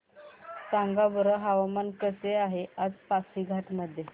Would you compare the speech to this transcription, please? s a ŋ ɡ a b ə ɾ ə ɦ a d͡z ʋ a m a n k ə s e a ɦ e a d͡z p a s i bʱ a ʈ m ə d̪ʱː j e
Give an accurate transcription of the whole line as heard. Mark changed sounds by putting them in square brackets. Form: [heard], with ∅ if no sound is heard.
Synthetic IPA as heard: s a ŋ ɡ a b ə ɾ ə ɦ a [∅] ʋ a m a n k ə s e a ɦ e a d͡z p a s i [ɡʱ] a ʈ m ə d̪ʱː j e